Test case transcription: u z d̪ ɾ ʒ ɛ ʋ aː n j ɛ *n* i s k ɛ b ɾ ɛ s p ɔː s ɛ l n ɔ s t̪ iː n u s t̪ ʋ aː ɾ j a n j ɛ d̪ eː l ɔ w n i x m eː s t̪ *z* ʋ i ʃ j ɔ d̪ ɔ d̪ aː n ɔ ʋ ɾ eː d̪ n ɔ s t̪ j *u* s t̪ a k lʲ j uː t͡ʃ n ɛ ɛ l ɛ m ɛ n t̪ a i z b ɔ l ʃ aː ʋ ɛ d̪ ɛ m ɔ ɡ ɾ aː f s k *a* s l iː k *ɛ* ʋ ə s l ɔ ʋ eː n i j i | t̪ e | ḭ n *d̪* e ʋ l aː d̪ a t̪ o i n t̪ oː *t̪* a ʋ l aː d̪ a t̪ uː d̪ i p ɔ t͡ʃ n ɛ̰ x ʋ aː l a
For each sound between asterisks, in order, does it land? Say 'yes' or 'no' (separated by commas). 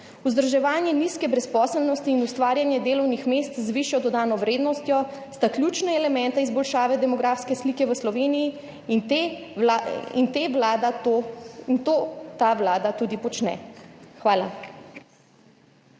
yes, yes, no, no, yes, no, yes